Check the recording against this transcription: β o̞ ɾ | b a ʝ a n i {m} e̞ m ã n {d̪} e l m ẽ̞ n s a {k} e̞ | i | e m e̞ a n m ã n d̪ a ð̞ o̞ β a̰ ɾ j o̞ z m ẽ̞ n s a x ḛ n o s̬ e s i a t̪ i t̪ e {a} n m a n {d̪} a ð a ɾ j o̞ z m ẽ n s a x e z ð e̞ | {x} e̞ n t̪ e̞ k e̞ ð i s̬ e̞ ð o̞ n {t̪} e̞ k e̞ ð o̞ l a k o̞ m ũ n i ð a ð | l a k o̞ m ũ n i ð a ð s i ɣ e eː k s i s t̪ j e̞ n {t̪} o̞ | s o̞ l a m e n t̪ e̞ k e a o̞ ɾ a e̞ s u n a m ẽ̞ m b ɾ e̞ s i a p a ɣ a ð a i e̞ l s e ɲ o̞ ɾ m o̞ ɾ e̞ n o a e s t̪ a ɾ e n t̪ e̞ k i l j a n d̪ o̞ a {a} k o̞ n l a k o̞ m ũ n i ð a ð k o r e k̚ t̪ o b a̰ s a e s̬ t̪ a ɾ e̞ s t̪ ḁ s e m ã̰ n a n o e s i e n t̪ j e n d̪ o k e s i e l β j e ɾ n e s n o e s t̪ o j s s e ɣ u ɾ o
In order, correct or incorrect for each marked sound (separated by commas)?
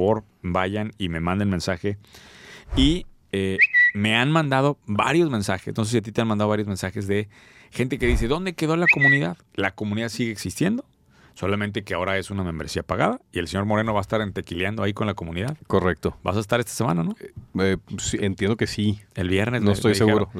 correct, correct, incorrect, correct, correct, correct, incorrect, incorrect, incorrect